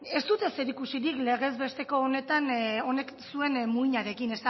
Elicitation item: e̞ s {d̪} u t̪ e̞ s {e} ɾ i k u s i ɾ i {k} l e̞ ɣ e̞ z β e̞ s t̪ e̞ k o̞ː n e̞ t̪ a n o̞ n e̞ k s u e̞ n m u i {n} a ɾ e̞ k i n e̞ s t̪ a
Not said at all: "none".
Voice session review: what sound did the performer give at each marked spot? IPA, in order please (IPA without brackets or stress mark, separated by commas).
t̪, e, k, ɲ